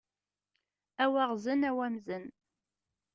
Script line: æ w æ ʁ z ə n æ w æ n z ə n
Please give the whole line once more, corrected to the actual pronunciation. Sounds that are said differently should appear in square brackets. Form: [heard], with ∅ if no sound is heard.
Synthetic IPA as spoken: æ w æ ʁ z ə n æ w æ [m] z ə n